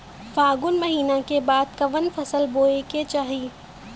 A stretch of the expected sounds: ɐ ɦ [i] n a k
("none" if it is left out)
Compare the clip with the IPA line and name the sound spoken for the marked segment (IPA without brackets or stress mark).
iː